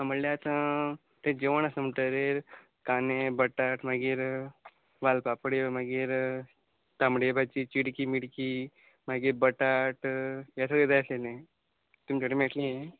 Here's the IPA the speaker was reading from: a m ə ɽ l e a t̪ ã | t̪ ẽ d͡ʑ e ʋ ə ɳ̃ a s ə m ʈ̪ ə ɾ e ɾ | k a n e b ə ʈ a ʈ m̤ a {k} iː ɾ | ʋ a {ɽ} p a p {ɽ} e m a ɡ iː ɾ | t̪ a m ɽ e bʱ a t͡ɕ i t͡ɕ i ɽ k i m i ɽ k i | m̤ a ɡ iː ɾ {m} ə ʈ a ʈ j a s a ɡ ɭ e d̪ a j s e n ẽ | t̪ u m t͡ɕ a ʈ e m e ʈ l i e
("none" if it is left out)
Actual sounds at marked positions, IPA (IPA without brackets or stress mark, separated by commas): ɡ, l, ɽ, b